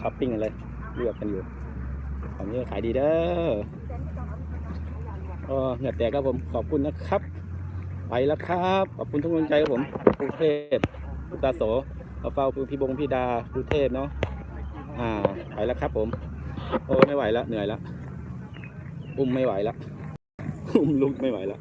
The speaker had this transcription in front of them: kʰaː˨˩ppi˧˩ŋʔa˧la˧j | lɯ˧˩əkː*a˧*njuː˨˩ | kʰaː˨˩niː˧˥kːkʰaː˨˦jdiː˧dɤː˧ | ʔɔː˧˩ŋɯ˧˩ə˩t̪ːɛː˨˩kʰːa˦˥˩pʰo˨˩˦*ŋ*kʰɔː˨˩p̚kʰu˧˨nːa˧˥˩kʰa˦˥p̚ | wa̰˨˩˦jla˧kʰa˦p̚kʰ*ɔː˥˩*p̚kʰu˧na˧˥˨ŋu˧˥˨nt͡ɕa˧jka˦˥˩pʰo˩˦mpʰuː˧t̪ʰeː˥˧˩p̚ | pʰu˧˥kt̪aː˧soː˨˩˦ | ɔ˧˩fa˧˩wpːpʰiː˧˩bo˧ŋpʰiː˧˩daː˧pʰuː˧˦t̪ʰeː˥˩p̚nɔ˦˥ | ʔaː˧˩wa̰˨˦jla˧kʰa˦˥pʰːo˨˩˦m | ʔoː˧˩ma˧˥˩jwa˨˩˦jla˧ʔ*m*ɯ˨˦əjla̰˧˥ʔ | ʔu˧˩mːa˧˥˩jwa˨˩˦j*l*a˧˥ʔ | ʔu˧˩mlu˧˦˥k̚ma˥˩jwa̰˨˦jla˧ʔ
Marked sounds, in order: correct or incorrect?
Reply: correct, incorrect, incorrect, incorrect, correct

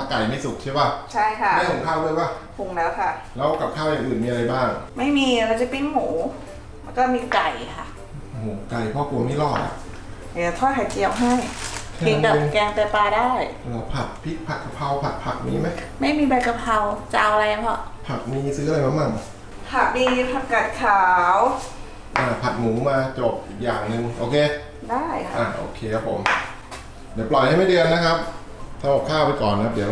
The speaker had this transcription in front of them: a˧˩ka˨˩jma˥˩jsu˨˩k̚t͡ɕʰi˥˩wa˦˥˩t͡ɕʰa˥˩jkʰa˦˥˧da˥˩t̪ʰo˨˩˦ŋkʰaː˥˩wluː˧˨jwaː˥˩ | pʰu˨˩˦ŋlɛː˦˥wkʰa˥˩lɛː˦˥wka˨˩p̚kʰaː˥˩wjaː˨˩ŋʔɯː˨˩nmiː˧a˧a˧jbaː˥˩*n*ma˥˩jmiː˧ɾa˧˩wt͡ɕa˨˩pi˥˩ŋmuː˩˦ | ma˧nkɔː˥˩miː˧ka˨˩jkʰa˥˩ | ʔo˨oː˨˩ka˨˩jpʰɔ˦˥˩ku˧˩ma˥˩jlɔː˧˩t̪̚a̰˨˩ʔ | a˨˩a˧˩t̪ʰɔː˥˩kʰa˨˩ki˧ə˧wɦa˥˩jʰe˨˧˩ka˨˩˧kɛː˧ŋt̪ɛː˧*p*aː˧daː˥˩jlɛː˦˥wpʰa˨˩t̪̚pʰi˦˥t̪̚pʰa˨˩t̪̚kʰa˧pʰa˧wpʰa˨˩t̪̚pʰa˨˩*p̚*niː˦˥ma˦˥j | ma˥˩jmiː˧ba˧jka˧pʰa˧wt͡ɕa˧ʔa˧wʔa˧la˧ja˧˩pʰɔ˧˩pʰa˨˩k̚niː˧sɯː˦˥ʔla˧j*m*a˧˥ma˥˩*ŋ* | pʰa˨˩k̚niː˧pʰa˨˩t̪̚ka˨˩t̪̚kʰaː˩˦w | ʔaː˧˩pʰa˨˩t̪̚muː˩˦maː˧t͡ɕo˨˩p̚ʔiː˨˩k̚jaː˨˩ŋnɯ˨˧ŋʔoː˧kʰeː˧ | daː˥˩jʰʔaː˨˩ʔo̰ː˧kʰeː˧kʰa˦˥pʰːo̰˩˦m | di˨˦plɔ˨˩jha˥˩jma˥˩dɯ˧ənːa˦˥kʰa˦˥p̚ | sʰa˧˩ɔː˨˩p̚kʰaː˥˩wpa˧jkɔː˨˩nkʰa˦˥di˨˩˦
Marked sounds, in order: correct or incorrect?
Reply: incorrect, correct, incorrect, correct, correct

